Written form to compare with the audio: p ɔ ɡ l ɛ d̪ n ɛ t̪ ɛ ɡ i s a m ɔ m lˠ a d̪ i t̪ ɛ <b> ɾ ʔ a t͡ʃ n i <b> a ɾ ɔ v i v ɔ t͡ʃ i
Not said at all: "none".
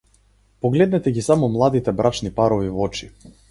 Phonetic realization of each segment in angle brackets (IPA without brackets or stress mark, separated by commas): b, p